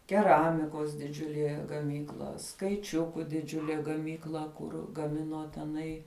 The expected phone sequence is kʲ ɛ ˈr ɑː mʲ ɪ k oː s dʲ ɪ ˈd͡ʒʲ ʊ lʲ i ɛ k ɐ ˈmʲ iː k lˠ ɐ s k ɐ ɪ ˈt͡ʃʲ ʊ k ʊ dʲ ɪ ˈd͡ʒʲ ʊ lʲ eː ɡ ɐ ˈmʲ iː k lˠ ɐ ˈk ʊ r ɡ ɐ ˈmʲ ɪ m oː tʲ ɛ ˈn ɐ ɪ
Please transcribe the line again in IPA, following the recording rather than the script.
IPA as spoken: kʲ ɛ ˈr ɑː mʲ ɪ k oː s dʲ ɪ ˈd͡ʒʲ ʊ lʲ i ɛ ɡ ɐ ˈmʲ iː k lˠ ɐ s k ɐ ɪ ˈt͡ʃʲ ʊ k ʊ dʲ ɪ ˈd͡ʒʲ ʊ lʲ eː ɡ ɐ ˈmʲ iː k lˠ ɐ ˈk ʊ r ɡ ɐ ˈmʲ ɪ n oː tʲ ɛ ˈn ɐ ɪ